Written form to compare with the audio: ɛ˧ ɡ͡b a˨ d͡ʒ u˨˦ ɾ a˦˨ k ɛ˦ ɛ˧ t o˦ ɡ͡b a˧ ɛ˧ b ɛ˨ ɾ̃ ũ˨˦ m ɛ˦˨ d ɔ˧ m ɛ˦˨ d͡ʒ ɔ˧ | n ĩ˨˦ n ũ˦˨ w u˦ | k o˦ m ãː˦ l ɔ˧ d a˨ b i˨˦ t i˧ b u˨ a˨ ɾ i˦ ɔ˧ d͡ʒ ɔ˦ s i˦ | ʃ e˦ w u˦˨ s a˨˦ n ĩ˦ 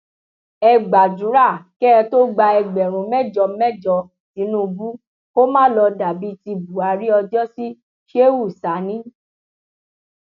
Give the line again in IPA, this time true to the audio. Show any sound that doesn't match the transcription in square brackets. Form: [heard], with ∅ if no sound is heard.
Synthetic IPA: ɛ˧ ɡ͡b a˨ d͡ʒ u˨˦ ɾ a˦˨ k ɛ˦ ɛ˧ t o˦ ɡ͡b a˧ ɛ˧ [ɡ͡b] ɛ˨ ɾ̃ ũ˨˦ m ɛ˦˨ [d͡ʒ] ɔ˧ m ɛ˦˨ d͡ʒ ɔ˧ | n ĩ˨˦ n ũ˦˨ [b] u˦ | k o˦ m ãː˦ l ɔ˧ d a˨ b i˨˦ t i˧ b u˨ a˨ ɾ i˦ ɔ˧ d͡ʒ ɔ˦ s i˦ | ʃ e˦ w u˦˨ s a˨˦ n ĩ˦